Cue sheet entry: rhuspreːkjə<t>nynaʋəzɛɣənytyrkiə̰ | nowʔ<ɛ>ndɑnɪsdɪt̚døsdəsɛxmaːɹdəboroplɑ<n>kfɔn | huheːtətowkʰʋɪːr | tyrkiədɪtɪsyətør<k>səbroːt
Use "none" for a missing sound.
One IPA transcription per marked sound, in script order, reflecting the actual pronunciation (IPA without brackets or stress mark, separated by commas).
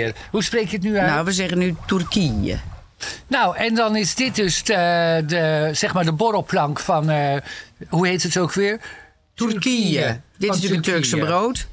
t, ɛ, ŋ, k